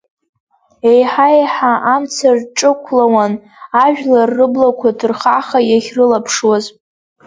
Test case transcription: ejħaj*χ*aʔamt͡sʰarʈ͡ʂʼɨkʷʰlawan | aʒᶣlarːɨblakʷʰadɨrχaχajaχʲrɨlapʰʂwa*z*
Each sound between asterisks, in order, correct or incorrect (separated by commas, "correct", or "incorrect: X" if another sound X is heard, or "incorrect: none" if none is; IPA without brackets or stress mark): incorrect: ħ, correct